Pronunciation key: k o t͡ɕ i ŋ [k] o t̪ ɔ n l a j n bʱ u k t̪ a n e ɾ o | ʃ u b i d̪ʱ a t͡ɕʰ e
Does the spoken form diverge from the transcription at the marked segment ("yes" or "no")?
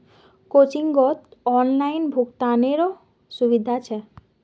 yes